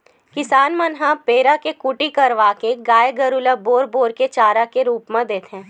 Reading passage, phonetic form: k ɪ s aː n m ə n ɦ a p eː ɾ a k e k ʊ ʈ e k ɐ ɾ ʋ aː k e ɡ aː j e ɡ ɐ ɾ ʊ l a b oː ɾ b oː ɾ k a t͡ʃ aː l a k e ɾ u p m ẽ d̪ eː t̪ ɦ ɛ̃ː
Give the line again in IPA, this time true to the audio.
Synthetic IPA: k ɪ s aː n m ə n ɦ a p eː ɾ a k e k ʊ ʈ i k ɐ ɾ ʋ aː k e ɡ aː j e ɡ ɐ ɾ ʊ l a b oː ɾ b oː ɾ k e t͡ʃ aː ɾ a k e ɾ uː p m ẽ d̪ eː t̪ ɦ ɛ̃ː